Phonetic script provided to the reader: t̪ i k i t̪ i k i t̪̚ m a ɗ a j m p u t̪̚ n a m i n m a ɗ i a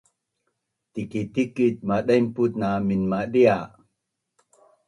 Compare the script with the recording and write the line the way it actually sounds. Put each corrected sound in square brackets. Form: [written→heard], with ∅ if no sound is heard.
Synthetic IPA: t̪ i k i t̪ i k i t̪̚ m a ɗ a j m p u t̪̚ n a m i n m a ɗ i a

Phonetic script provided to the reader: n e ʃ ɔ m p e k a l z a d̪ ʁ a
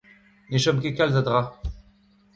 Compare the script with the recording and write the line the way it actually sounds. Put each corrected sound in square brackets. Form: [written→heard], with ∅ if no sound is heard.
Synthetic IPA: n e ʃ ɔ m [p→k] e k a l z a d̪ ʁ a

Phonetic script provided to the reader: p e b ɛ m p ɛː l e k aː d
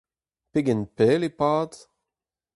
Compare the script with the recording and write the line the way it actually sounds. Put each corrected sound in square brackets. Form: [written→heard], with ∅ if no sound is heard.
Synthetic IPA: p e [b→ɡ] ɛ [m→n] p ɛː l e [k→p] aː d

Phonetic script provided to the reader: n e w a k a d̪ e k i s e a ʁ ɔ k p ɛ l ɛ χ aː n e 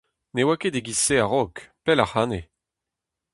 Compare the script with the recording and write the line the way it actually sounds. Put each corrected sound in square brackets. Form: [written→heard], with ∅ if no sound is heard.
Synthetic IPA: n e w a k [a→e] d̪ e [k→ɡ] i s e a ʁ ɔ k p ɛ l [ɛ→a] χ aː n e

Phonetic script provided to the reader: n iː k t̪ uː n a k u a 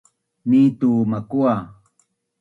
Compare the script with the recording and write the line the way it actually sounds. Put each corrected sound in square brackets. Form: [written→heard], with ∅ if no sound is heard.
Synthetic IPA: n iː [k→∅] t̪ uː [n→m] a k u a

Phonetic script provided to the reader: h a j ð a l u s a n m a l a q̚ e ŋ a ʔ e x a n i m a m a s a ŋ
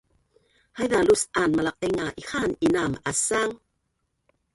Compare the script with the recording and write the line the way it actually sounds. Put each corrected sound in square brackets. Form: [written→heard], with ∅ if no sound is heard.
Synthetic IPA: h a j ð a l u s a n m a l a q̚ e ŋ a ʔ [e→i] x a n i [m→n] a m a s a ŋ

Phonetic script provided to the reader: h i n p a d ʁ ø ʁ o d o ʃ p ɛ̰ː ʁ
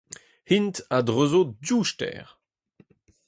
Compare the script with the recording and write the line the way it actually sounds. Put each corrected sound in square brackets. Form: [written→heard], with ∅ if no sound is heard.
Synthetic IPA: h i n [p→t] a d ʁ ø [ʁ→z] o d [o→u] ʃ [p→t] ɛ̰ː ʁ

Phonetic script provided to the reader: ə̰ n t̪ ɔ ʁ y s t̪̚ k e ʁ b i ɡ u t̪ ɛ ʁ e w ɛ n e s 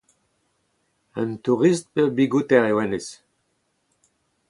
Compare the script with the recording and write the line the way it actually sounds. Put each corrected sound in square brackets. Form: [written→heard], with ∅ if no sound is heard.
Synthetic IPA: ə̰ n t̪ [ɔ→u] ʁ [y→i] s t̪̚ [k→p] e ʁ b i ɡ u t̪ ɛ ʁ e w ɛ n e s

